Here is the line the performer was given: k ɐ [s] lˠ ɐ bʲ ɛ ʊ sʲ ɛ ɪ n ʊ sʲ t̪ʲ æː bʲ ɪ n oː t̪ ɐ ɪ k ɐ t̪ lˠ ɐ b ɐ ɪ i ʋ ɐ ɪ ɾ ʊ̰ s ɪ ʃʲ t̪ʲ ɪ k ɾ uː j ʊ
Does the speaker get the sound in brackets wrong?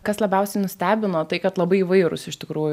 no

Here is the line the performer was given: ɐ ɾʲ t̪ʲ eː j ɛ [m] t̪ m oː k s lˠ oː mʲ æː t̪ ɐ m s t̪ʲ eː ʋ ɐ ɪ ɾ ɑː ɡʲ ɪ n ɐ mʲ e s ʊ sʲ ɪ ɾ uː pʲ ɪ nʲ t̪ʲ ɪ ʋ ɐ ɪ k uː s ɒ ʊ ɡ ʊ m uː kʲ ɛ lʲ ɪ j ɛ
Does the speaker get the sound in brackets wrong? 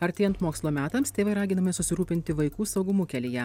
yes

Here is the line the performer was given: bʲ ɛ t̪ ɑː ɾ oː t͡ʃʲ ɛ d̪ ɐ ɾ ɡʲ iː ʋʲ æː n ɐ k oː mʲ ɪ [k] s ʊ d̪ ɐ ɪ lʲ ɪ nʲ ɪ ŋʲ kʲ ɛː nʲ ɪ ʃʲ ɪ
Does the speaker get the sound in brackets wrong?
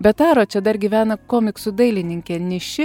no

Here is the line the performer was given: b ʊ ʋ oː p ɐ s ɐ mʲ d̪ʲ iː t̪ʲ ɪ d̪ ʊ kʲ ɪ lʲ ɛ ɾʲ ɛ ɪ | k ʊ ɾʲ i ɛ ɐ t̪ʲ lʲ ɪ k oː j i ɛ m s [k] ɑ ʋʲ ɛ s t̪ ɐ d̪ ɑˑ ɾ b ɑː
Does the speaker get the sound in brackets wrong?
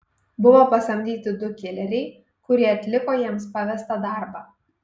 yes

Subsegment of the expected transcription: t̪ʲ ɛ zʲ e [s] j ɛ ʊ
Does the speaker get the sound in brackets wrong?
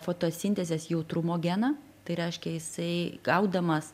no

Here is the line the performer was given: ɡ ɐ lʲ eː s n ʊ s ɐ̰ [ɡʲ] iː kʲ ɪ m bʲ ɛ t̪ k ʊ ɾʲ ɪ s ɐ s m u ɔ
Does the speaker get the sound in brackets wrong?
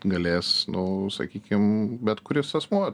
yes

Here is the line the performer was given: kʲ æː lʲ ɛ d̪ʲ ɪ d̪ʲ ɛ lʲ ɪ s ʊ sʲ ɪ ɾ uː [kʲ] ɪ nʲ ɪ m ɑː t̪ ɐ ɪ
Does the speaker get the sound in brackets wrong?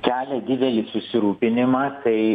yes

